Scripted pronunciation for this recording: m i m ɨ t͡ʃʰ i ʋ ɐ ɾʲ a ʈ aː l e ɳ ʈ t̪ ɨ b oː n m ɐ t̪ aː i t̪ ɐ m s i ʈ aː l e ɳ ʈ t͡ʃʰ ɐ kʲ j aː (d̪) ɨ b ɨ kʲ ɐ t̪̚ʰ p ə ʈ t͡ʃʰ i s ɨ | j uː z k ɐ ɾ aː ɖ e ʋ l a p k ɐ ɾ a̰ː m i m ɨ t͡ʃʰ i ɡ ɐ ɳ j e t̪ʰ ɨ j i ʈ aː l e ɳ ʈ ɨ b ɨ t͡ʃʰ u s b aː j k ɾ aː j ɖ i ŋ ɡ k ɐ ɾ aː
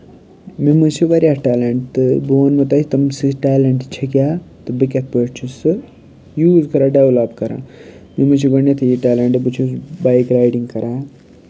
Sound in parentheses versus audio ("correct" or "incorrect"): incorrect